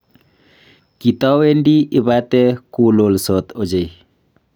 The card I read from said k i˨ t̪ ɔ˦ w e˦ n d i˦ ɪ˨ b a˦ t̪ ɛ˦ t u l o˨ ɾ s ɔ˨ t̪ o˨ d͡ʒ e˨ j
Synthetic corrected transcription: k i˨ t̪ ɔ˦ w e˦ n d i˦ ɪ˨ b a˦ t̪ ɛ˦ k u l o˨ l s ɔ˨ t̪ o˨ d͡ʒ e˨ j